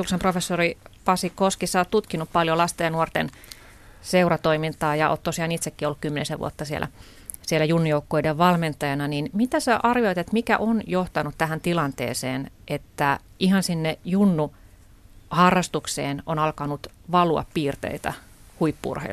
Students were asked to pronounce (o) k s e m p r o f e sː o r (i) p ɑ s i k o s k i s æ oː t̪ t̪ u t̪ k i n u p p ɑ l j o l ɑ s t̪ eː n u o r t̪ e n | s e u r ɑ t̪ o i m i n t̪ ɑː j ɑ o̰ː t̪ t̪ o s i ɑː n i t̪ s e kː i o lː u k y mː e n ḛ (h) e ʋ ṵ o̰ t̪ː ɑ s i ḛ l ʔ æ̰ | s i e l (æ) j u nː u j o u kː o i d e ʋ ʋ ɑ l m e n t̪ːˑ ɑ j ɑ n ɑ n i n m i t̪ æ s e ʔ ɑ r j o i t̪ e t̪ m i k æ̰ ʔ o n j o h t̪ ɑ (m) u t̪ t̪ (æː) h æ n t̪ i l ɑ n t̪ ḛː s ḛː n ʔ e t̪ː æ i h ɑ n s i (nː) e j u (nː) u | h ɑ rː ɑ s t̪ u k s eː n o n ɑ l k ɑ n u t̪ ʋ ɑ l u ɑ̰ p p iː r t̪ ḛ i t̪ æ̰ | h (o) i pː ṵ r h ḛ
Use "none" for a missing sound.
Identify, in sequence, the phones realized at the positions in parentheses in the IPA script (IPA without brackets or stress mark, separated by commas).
u, i, s, æ, n, æ, nː, nː, u